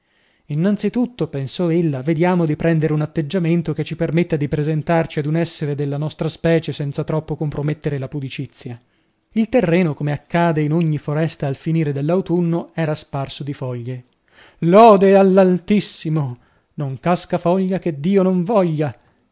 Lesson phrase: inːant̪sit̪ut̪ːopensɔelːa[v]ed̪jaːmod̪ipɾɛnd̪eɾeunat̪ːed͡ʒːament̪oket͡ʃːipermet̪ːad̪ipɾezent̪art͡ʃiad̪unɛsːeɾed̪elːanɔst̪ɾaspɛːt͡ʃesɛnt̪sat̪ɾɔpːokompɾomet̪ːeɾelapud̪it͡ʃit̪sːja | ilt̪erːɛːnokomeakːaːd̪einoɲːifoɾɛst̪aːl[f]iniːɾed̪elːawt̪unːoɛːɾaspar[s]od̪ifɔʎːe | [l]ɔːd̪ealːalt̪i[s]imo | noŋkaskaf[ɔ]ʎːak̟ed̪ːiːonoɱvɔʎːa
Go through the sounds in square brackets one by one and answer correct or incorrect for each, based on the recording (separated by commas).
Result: correct, correct, correct, correct, incorrect, correct